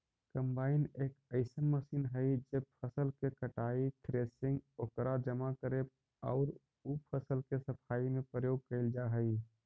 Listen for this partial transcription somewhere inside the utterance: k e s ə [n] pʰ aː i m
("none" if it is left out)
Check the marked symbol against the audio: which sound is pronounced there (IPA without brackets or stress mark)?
none